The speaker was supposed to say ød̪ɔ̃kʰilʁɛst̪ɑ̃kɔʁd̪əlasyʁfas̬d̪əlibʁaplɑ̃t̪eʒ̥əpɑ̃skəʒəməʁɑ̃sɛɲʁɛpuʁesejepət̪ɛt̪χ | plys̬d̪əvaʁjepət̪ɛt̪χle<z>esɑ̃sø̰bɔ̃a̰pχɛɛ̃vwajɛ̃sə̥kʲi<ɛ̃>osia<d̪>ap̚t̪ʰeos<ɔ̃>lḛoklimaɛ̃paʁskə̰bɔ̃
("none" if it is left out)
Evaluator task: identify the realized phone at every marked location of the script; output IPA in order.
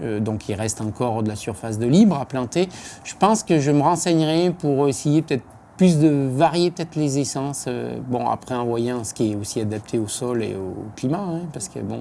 z, ɛ, d̪, ɔ

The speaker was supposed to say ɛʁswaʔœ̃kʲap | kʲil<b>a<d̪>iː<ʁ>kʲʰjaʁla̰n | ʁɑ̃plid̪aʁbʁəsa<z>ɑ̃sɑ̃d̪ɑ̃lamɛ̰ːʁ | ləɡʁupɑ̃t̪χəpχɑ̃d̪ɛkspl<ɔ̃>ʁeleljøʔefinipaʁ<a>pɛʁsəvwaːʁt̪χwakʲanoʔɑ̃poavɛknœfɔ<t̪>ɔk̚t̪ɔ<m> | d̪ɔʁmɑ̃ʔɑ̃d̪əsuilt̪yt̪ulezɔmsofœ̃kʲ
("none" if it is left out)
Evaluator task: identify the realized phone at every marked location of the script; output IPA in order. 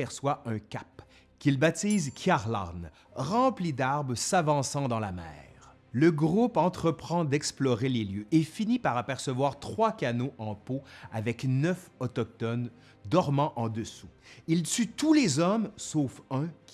b, t̪, z, v, ɔ, a, t̪, n

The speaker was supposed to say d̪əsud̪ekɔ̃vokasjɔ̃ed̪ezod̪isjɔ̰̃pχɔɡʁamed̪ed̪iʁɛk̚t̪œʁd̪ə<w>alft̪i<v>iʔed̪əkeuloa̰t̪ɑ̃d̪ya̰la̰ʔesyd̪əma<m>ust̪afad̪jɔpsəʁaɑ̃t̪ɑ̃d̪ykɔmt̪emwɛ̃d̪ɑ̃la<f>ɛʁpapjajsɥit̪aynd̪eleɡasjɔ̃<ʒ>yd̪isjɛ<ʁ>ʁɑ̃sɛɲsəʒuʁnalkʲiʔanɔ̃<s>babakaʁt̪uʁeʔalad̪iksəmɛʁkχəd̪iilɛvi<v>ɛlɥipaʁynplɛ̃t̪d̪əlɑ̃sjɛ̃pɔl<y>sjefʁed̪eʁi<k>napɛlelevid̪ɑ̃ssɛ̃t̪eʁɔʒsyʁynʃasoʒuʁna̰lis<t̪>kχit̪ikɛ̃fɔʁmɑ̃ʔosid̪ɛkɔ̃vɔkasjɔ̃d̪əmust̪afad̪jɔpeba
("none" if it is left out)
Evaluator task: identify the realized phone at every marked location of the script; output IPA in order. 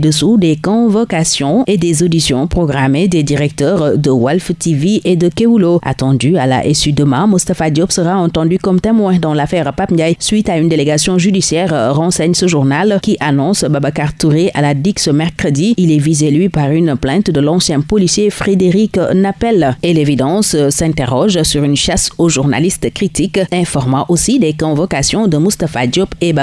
w, v, m, f, ʒ, ʁ, s, z, i, k, t̪

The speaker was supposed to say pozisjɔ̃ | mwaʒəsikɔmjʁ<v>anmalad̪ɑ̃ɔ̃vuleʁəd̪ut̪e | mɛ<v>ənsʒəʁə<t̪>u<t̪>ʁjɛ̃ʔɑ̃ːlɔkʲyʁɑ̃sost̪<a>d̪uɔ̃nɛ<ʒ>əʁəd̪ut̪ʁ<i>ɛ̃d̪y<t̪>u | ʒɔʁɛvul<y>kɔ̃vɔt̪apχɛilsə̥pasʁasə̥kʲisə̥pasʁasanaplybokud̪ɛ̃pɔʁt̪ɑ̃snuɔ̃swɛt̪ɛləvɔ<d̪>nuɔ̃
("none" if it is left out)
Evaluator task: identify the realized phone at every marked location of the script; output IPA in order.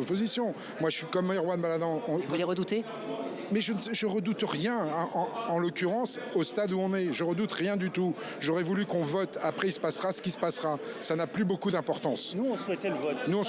w, ʒ, d̪, t̪, a, ʒ, j, t̪, y, t̪

